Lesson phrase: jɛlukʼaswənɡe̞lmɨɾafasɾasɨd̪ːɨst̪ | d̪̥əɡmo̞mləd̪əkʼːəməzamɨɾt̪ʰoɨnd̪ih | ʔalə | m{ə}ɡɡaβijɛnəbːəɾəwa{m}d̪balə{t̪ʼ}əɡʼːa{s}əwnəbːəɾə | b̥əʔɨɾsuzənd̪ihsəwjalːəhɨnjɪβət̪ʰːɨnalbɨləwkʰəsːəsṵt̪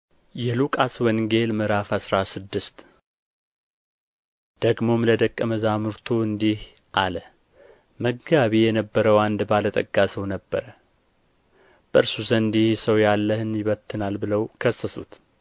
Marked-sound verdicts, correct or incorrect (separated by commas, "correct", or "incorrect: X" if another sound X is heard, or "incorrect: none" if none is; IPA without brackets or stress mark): correct, incorrect: n, correct, correct